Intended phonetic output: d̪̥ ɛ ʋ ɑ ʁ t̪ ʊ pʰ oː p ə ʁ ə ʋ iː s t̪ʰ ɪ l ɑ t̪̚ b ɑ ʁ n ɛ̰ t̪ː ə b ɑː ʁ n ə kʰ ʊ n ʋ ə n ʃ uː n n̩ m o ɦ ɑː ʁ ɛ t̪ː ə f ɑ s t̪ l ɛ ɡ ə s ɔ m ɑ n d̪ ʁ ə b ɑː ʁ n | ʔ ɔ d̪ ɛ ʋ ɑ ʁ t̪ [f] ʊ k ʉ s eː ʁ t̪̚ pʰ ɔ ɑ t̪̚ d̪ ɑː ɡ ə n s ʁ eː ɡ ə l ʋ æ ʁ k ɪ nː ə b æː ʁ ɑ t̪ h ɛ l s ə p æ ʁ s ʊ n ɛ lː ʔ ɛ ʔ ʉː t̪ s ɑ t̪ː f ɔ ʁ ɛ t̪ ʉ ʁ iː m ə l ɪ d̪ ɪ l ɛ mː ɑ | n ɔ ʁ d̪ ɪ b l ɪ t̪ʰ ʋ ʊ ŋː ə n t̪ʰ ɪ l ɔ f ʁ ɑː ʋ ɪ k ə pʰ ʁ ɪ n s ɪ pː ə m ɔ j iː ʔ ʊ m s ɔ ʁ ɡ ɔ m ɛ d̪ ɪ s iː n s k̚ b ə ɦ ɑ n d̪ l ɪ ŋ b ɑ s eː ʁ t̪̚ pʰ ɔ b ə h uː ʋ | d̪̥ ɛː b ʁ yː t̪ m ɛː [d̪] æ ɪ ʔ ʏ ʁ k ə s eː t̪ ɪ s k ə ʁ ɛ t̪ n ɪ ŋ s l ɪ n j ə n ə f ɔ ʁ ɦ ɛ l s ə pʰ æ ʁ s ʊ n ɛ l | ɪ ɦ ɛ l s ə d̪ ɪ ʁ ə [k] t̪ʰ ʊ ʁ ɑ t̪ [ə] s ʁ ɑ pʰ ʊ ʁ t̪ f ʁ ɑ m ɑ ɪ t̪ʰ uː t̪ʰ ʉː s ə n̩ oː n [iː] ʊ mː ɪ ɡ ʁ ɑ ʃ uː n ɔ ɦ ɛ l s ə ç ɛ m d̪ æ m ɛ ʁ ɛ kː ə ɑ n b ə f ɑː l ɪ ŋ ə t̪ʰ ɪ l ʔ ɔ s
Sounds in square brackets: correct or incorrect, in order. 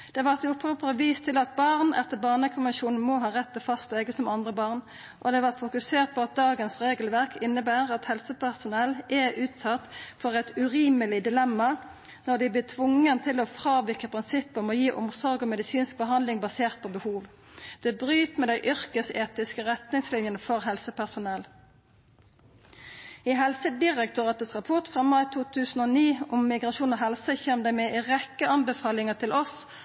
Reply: correct, correct, correct, correct, correct

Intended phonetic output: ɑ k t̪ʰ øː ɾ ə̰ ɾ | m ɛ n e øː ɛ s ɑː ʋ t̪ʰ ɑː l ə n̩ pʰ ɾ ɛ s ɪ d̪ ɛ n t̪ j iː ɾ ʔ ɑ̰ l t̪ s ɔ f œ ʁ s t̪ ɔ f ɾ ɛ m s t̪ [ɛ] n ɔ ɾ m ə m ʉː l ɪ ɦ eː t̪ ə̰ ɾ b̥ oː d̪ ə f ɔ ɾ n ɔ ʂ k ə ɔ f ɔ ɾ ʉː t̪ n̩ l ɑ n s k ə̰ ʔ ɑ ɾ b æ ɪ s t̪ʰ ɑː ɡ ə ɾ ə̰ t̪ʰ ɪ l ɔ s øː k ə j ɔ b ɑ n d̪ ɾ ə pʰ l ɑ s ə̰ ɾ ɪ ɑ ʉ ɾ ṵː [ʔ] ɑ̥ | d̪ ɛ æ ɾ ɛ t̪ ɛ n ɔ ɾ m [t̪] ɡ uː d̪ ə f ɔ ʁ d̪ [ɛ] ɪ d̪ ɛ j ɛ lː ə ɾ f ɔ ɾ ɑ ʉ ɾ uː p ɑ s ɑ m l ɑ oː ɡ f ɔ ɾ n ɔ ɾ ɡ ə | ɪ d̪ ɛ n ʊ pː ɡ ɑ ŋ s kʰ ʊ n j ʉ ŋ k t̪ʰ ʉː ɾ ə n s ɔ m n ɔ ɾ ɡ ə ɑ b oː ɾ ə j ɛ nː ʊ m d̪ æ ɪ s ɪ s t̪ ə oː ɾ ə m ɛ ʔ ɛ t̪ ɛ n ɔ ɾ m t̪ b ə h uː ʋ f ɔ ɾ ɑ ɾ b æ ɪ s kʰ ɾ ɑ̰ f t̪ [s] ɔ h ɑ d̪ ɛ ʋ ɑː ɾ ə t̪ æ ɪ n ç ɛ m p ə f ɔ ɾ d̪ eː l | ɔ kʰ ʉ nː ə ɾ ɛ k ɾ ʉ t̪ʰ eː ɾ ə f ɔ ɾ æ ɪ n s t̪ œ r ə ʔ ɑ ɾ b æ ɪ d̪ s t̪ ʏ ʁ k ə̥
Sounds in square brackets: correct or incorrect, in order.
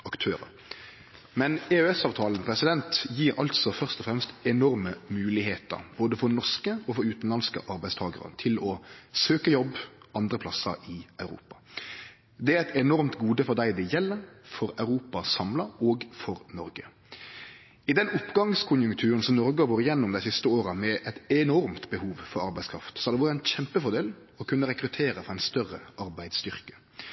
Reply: correct, incorrect: p, correct, incorrect: æ, correct

